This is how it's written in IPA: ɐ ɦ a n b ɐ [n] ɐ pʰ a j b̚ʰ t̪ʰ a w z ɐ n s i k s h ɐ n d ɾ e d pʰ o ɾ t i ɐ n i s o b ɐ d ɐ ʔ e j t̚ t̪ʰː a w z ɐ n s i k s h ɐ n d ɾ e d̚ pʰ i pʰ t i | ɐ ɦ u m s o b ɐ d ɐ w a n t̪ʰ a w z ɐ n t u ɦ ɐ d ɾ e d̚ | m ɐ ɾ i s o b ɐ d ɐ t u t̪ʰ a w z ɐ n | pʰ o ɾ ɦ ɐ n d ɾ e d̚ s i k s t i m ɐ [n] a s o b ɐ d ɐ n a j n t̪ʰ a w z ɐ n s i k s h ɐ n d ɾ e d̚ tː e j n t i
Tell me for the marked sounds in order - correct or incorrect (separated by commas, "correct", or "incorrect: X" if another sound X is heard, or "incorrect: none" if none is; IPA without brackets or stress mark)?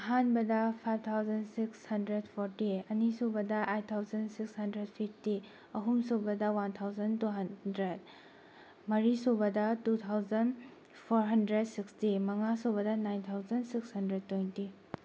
incorrect: d, incorrect: ŋ